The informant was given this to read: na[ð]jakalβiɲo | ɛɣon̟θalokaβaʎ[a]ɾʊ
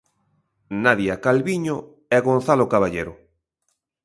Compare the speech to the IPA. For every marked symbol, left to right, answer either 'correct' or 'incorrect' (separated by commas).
correct, incorrect